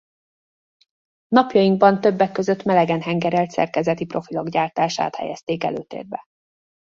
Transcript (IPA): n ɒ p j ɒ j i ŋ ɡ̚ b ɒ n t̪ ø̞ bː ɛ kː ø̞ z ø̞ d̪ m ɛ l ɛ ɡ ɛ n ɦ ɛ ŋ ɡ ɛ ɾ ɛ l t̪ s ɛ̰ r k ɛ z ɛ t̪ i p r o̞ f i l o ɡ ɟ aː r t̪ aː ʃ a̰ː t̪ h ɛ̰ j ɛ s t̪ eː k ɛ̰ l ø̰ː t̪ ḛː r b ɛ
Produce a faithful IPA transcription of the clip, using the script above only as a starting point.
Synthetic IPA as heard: n ɒ p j ɒ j i ŋ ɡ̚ b ɒ n t̪ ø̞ bː ɛ kː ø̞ z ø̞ t̪ m ɛ l ɛ ɡ ɛ n ɦ ɛ ŋ ɡ ɛ ɾ ɛ l t̪ s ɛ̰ r k ɛ z ɛ t̪ i p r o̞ f i l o ɡ ɟ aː r t̪ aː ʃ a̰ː t̪ h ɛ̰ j ɛ s t̪ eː k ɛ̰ l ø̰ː t̪ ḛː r b ɛ